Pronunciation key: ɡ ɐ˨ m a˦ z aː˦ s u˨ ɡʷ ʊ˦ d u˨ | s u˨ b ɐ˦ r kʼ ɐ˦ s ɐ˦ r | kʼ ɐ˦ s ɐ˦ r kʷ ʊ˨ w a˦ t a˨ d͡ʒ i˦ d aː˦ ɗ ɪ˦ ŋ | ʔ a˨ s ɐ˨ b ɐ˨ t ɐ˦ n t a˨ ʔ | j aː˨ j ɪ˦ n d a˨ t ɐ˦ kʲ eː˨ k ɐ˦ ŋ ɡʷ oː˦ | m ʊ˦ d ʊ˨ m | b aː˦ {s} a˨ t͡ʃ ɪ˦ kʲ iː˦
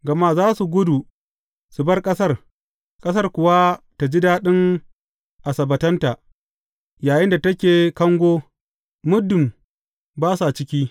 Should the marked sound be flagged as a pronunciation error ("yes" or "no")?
no